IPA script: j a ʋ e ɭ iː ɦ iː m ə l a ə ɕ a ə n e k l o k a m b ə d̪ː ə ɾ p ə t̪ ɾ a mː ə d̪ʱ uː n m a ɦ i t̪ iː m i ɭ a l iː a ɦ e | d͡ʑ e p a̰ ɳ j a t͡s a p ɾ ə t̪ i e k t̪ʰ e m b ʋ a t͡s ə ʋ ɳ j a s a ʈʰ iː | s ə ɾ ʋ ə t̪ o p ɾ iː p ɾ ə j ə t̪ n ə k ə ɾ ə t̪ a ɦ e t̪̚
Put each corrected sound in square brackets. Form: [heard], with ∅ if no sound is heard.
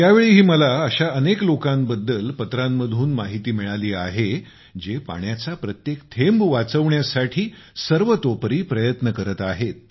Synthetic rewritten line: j a ʋ e ɭ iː ɦ iː m ə l a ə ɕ a ə n e k l o k a m b ə d̪ː ə [l] p ə t̪ ɾ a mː ə d̪ʱ uː n m a ɦ i t̪ iː m i ɭ a l iː a ɦ e | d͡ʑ e p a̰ ɳ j a t͡s a p ɾ ə t̪ [j] e k t̪ʰ e m b ʋ a t͡s ə ʋ ɳ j a s a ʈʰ iː | s ə ɾ ʋ ə t̪ o p ɾ iː p ɾ ə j ə t̪ n ə k ə ɾ ə t̪ a ɦ e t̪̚

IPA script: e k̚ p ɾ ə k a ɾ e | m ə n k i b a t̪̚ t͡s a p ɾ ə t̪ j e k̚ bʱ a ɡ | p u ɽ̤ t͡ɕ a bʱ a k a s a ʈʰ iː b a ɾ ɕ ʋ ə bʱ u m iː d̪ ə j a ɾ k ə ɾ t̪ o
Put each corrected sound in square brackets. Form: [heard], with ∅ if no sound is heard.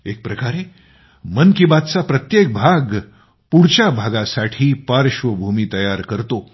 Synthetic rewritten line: e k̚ p ɾ ə k a ɾ e | m ə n k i b a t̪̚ t͡s a p ɾ ə t̪ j e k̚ bʱ a ɡ | p u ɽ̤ t͡ɕ a bʱ a [ɡ] a s a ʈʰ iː [p] a ɾ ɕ ʋ ə bʱ u m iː [t̪] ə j a ɾ k ə ɾ t̪ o

